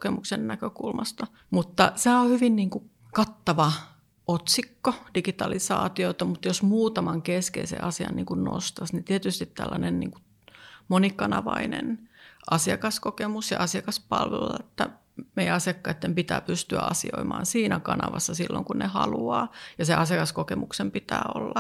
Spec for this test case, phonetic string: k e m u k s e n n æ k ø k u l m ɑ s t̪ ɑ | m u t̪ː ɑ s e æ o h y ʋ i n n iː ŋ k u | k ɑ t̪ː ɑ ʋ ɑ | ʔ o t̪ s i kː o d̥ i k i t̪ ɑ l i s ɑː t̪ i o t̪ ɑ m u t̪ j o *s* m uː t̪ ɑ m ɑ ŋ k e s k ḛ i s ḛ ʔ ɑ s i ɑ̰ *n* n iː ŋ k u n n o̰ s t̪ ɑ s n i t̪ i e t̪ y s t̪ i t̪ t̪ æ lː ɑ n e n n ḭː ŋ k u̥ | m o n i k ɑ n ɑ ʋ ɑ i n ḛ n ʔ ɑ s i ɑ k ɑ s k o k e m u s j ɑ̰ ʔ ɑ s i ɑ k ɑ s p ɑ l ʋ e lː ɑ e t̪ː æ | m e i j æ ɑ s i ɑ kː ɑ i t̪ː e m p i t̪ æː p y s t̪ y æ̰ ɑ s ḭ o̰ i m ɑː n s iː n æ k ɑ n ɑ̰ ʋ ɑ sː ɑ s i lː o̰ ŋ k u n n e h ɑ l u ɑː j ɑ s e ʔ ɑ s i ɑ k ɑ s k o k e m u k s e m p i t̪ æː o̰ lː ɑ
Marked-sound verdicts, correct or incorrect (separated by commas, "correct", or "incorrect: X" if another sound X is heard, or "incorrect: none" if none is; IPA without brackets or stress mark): correct, correct